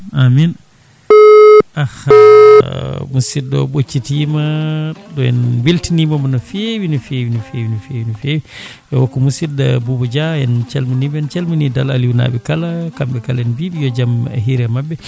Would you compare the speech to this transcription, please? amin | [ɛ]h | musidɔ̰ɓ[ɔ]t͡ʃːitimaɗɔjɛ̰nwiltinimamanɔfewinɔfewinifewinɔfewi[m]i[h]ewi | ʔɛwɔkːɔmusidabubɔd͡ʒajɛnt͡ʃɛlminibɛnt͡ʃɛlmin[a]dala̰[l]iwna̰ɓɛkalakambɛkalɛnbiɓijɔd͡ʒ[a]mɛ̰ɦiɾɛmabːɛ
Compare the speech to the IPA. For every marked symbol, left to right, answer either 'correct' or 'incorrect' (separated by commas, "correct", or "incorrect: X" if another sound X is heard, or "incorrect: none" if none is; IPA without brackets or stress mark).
incorrect: a, incorrect: o, incorrect: n, incorrect: f, incorrect: i, correct, correct